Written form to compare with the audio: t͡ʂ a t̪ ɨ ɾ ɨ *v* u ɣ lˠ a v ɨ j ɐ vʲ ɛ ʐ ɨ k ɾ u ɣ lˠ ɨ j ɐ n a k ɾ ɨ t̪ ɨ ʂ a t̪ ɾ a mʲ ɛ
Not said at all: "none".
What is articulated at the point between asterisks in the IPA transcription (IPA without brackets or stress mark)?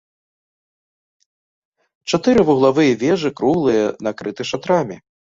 v